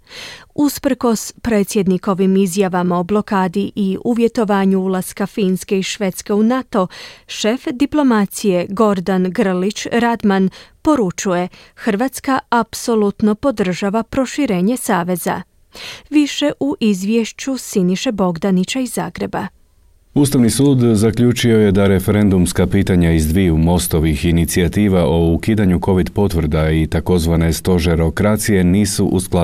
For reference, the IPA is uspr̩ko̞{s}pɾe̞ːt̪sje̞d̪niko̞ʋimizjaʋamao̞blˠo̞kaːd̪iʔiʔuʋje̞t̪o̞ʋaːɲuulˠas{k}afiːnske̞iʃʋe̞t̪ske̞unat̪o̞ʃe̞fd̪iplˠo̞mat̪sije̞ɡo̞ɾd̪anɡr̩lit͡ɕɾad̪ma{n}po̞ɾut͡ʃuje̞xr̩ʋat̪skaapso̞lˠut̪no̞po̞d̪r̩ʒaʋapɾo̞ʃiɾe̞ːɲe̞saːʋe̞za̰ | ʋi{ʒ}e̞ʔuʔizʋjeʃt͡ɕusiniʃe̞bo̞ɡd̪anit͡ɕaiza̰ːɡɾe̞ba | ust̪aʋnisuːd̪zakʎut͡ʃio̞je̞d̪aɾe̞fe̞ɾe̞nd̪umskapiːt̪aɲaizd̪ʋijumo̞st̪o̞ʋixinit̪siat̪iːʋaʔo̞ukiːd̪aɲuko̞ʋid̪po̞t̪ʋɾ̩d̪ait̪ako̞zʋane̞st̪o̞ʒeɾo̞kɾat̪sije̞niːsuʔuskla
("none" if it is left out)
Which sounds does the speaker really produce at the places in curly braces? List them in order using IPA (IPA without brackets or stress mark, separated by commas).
s, k, n, ʃ